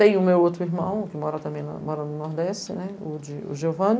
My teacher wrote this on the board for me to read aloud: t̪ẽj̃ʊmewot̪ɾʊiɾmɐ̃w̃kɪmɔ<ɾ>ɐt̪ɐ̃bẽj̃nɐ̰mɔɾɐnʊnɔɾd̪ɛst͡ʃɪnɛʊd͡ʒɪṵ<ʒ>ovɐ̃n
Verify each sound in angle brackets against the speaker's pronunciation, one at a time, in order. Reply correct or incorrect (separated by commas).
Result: correct, correct